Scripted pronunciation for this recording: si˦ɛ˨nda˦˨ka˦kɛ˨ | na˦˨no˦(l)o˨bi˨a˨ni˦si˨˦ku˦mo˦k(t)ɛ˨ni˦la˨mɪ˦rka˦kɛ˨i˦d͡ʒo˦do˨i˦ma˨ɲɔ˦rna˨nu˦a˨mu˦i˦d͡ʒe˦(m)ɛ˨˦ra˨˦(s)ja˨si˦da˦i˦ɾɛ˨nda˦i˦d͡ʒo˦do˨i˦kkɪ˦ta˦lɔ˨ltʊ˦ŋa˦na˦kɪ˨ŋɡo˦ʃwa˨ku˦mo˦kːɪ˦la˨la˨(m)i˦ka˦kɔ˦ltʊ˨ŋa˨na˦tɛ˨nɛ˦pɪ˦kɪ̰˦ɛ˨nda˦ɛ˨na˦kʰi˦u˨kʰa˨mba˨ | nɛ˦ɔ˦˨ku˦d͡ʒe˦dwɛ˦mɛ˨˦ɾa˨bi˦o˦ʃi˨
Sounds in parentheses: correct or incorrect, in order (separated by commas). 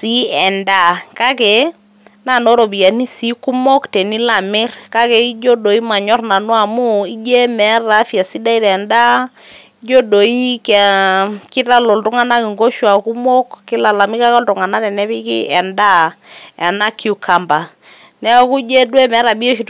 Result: incorrect, correct, correct, incorrect, correct